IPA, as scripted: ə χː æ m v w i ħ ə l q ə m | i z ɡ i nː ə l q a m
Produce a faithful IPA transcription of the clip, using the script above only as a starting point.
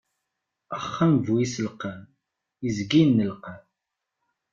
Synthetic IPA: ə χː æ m v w i s ə l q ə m | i z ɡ i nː ə l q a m